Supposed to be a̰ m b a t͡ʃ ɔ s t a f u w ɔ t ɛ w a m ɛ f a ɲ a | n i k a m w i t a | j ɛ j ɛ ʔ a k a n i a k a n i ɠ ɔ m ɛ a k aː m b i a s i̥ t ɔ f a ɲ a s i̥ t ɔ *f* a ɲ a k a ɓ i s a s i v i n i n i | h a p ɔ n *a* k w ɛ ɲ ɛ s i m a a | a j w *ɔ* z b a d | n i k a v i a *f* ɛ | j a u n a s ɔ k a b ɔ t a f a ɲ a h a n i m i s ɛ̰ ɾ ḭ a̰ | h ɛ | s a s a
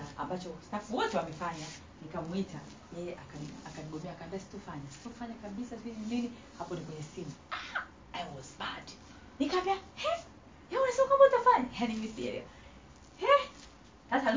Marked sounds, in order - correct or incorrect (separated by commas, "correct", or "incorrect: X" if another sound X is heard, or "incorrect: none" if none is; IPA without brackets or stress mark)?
correct, incorrect: i, correct, incorrect: h